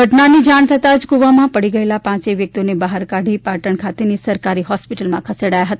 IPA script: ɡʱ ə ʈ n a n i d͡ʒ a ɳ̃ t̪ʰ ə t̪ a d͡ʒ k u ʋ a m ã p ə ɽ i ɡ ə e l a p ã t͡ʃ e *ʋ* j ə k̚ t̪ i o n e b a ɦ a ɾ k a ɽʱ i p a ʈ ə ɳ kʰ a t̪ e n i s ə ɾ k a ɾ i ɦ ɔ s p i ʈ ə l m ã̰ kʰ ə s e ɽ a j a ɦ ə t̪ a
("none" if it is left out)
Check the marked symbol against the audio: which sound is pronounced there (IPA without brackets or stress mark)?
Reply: ʋ